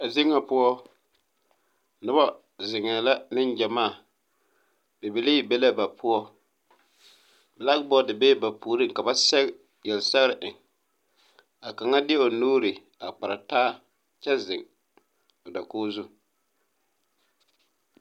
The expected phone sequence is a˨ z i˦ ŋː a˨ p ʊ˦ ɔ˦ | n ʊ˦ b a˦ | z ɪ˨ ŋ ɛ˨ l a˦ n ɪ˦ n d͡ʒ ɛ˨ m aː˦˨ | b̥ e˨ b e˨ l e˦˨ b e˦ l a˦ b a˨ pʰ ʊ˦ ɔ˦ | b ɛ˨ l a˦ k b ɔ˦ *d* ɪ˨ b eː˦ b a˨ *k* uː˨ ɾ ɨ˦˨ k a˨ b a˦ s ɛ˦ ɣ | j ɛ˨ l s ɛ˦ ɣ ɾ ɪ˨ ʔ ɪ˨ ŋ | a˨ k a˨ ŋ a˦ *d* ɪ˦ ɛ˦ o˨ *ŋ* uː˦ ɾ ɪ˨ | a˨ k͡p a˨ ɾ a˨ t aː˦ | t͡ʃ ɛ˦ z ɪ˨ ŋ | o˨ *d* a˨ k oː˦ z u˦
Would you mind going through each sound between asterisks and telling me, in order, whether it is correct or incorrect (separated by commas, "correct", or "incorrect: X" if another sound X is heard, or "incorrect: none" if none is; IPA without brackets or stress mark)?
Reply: correct, incorrect: p, correct, incorrect: n, correct